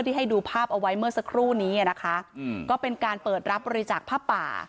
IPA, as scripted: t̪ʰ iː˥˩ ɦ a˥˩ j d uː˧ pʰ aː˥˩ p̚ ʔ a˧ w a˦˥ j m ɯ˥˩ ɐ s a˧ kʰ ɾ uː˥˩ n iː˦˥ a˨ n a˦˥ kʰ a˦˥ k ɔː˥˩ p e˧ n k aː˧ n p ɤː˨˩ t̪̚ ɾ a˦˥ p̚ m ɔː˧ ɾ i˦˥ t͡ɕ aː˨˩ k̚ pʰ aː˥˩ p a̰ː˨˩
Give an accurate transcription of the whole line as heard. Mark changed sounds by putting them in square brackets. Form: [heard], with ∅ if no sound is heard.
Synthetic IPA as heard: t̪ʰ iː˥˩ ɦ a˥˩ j d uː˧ pʰ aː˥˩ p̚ ʔ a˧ w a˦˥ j m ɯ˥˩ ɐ s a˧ kʰ ɾ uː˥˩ n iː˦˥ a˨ n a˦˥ kʰ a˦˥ k ɔː˥˩ p e˧ n k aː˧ n p ɤː˨˩ t̪̚ ɾ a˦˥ p̚ [b] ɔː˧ ɾ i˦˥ t͡ɕ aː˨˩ k̚ pʰ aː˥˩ p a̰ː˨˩